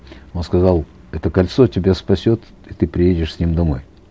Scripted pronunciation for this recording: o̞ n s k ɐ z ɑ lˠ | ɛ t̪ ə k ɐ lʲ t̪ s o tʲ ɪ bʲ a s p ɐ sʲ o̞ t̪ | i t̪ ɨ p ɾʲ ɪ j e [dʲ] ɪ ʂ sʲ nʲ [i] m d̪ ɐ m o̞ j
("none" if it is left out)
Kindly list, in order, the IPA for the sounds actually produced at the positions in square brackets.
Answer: dʲ, i

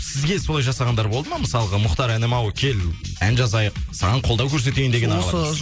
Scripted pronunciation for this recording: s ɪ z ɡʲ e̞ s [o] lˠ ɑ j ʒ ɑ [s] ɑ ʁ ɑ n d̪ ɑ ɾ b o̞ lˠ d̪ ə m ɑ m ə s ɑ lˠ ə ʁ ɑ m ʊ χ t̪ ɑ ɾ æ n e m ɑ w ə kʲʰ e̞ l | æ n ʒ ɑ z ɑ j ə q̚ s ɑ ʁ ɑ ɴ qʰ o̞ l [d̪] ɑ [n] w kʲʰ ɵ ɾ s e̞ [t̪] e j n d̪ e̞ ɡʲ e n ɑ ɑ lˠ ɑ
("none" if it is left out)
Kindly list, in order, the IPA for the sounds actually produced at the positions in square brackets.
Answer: o, s, d̪, none, t̪

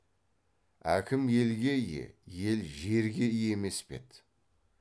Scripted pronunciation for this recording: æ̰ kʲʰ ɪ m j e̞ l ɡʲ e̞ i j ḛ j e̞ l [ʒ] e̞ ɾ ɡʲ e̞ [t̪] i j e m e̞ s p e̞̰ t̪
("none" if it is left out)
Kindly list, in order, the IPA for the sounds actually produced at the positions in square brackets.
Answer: ʒ, none

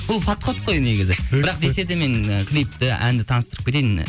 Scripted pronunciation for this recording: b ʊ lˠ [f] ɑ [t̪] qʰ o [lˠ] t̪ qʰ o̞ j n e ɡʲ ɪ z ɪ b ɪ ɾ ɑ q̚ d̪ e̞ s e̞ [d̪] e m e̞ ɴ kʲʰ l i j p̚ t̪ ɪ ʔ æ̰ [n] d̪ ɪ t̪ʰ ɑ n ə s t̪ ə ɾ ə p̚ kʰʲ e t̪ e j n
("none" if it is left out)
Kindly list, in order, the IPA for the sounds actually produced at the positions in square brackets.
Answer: f, t̪, none, d̪, n

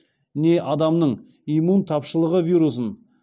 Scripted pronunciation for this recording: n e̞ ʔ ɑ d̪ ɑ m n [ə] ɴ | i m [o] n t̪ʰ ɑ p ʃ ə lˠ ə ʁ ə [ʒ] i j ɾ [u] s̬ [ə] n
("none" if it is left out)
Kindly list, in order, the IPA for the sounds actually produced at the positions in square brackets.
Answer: ə, u, v, u, ə

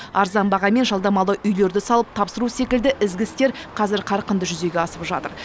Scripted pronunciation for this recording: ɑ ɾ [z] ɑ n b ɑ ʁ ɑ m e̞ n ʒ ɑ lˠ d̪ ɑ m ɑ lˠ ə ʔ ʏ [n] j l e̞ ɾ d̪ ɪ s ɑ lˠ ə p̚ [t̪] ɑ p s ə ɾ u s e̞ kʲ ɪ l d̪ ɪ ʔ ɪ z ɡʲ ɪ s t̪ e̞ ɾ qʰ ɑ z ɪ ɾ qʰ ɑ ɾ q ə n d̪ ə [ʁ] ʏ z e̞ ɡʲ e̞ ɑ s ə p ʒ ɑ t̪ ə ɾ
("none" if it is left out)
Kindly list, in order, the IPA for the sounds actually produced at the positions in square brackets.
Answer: z, none, t̪ʰ, ʒ

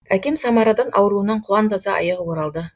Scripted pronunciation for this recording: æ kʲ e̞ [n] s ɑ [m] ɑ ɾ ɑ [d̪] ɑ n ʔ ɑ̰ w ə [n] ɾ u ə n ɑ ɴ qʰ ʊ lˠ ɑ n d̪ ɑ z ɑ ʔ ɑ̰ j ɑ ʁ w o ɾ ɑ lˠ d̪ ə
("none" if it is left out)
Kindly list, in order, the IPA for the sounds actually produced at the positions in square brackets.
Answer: m, m, d̪, none

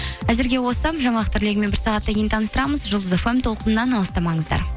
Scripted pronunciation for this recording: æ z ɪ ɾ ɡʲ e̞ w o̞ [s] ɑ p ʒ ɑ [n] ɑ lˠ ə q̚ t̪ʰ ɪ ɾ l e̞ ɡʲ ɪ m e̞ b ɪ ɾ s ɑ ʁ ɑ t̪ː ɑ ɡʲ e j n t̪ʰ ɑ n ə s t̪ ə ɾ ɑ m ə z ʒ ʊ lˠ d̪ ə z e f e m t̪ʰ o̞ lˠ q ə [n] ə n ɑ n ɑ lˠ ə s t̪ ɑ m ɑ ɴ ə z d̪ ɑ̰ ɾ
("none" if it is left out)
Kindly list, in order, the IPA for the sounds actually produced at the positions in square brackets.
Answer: s, ɴ, n

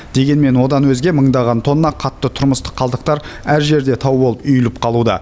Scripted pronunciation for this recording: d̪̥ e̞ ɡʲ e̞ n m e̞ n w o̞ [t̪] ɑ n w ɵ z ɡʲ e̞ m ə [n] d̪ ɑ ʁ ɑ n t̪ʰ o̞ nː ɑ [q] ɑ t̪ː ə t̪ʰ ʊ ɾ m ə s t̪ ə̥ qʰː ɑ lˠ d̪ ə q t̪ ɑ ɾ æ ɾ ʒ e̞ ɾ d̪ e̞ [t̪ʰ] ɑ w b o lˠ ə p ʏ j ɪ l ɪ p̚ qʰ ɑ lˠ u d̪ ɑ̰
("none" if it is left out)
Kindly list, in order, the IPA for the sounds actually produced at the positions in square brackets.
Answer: d̪, ɴ, qʰ, t̪ʰ

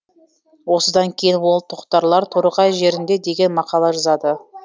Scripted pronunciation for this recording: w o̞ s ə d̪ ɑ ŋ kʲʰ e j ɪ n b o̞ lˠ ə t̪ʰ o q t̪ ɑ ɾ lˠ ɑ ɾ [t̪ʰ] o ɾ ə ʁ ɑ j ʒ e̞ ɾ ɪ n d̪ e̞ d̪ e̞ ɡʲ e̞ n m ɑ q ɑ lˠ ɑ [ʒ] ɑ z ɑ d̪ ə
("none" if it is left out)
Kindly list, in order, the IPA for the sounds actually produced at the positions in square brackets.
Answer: t̪ʰ, ʒ

